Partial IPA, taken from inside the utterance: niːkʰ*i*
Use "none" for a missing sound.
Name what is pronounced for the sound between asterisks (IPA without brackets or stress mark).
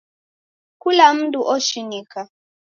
a